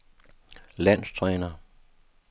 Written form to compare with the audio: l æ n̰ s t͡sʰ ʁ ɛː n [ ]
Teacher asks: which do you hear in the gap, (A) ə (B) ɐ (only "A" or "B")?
B